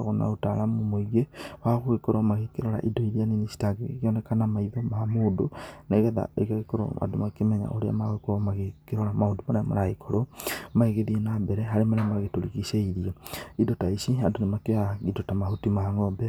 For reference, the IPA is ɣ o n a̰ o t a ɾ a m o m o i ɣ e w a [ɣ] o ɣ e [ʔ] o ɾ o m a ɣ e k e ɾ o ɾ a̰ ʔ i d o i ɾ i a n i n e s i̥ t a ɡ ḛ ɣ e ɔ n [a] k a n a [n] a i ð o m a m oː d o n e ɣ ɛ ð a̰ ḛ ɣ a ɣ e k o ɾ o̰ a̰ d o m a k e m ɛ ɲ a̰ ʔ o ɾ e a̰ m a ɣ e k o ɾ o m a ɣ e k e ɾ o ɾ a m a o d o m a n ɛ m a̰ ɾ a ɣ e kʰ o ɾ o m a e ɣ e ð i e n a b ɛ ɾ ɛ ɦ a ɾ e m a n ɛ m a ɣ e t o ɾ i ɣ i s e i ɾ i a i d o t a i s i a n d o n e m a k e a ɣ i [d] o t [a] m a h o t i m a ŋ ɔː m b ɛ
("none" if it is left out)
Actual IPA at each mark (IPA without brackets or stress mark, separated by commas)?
ɣ, k, ɛ, m, d, a